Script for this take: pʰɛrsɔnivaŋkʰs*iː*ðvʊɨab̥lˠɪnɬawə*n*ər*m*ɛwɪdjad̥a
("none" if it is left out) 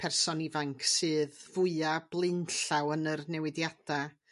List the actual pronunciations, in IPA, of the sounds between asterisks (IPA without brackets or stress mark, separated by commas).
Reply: ɨː, n, n